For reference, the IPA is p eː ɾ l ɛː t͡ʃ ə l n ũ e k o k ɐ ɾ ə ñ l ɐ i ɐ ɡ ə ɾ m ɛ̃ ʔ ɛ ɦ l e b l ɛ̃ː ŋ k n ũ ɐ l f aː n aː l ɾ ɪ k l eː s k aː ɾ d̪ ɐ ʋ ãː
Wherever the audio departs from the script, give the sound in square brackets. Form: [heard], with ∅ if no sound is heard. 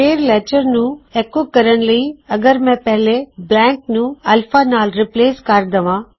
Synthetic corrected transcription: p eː ɾ l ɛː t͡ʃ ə [ɾ] n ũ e k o k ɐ ɾ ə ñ l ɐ i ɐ ɡ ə ɾ m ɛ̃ [p] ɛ ɦ l e b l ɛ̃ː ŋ k n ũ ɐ l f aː n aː l ɾ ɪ [p] l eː s k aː ɾ d̪ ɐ ʋ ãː

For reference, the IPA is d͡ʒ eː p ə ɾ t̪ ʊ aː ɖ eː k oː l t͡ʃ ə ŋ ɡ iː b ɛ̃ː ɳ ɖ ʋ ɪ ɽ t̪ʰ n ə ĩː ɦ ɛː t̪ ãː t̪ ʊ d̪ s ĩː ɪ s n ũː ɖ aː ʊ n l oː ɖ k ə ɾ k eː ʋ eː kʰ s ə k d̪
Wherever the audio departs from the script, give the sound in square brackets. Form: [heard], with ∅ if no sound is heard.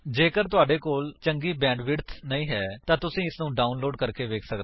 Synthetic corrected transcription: d͡ʒ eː [k] ə ɾ t̪ ʊ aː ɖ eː k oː l t͡ʃ ə ŋ ɡ iː b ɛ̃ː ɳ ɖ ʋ ɪ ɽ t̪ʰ n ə ĩː ɦ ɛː t̪ ãː t̪ ʊ [∅] s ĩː ɪ s n ũː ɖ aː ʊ n l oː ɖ k ə ɾ k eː ʋ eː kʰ s ə k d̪

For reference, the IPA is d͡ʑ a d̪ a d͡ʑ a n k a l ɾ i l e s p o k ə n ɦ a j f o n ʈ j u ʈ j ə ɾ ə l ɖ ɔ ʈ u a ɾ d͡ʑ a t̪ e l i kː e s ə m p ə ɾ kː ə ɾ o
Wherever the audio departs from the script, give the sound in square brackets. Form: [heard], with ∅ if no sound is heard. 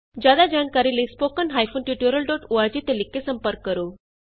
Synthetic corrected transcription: d͡ʑ a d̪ a d͡ʑ a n k a [∅] ɾ i l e s p o k ə n ɦ a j f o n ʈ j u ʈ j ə ɾ ə l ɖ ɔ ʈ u a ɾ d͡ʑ [i] t̪ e l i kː e s ə m p ə ɾ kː ə ɾ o

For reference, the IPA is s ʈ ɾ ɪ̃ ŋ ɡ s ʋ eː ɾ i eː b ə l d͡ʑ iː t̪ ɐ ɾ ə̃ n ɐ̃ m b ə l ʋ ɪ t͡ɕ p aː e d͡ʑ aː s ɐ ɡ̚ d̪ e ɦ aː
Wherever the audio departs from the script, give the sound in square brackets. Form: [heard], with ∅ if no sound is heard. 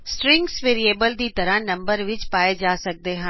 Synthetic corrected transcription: s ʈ ɾ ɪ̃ ŋ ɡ s ʋ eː ɾ i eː b ə l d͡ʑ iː t̪ ɐ ɾ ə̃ n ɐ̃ m b ə [ɾ] ʋ ɪ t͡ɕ p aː e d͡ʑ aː s ɐ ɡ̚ d̪ e ɦ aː

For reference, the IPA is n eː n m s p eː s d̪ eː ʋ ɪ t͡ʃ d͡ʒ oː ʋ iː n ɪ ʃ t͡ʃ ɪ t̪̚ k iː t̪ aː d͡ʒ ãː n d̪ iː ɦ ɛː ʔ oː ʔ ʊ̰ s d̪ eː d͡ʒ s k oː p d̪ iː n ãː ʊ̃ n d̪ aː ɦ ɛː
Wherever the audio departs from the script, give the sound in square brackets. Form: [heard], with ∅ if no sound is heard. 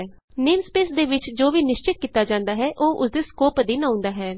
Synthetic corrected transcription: n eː [∅] m s p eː s d̪ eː ʋ ɪ t͡ʃ d͡ʒ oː ʋ iː n ɪ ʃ t͡ʃ ɪ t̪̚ k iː t̪ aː d͡ʒ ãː n d̪ [aː] ɦ ɛː ʔ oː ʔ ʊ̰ s d̪ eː [∅] s k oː p d̪ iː n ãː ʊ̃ n d̪ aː ɦ ɛː

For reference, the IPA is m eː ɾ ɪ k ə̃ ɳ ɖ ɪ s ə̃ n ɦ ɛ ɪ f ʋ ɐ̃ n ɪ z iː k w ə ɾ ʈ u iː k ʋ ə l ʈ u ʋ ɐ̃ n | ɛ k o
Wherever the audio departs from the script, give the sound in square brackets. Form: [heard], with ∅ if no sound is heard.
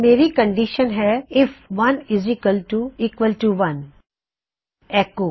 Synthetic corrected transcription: m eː ɾ [i] k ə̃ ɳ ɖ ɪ [ʃ] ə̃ n ɦ ɛ ɪ f ʋ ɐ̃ n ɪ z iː k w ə [l] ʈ u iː k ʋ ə l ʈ u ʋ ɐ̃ n | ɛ k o

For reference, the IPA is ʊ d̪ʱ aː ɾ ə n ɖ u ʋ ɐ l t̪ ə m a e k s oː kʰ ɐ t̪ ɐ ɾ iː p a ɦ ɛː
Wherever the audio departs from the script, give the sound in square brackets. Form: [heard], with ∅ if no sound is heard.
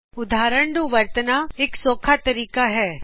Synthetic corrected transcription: ʊ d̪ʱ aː ɾ ə [ɳ] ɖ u ʋ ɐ [ɾ] t̪ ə [n] a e k s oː kʰ [a] t̪ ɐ ɾ iː [k] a ɦ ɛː

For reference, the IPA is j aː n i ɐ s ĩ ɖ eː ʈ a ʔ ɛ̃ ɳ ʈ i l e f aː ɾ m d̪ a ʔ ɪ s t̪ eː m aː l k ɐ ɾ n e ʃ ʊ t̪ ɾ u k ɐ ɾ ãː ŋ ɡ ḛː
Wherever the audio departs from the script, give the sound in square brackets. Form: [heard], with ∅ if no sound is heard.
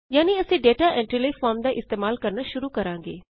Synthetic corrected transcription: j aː n i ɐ s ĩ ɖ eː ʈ a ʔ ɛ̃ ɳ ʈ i l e f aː ɾ m d̪ a ʔ ɪ s t̪ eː m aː l k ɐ ɾ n [a] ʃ ʊ [∅] ɾ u k ɐ ɾ ãː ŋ ɡ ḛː

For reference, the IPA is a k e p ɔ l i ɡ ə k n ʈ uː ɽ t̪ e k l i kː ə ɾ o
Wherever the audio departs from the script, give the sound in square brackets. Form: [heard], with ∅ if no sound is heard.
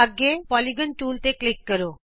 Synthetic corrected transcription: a [ɡ] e p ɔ l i ɡ ə [∅] n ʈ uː [l] t̪ e k l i kː ə ɾ o

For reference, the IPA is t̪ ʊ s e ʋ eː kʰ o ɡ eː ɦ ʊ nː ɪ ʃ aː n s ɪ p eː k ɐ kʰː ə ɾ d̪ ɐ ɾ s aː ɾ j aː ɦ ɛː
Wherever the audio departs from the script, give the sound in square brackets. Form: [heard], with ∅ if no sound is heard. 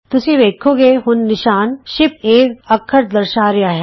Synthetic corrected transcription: t̪ ʊ s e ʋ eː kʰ o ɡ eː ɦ ʊ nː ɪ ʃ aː n [ʃ] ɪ p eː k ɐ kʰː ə ɾ d̪ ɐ ɾ [ʃ] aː ɾ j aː ɦ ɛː

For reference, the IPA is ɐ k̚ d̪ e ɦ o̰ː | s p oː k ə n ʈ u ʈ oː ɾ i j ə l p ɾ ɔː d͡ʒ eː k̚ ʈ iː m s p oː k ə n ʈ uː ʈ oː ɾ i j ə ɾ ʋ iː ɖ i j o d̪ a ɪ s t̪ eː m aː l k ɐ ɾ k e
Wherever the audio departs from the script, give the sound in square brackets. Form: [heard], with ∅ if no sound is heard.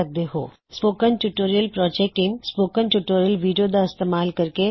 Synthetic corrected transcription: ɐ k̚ d̪ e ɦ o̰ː | s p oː k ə n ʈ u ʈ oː ɾ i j ə l p ɾ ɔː d͡ʒ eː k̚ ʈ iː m s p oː k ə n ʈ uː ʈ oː ɾ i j ə [l] ʋ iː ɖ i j o d̪ a ɪ s t̪ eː m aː l k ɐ ɾ k e

